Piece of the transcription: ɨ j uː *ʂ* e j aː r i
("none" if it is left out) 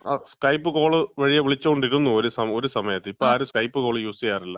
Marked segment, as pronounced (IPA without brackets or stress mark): s